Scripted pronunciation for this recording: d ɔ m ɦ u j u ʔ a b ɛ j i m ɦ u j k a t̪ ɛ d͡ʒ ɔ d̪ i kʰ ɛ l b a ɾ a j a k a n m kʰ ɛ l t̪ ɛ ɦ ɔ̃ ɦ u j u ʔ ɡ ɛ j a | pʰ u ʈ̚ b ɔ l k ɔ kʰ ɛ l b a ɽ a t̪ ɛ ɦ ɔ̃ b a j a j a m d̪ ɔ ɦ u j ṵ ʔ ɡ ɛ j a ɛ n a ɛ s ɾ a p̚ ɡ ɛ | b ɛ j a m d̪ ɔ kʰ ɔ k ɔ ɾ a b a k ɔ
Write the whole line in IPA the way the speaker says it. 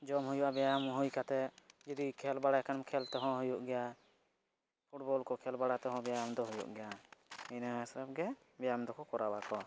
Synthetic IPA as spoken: d͡ʒ ɔ m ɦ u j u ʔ a b ɛ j a m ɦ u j k a t̪ ɛ d͡ʒ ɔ d̪ i kʰ ɛ l b a ɽ a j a k a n m kʰ ɛ l t̪ ɛ ɦ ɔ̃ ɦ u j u ʔ ɡ ɛ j a | pʰ u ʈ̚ b ɔ l k ɔ kʰ ɛ l b a ɽ a t̪ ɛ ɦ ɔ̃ b ɛ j a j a m d̪ ɔ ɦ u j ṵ ʔ ɡ ɛ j a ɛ n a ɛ s ɾ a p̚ ɡ ɛ | b ɛ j a m d̪ ɔ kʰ ɔ k ɔ ɾ a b a k ɔ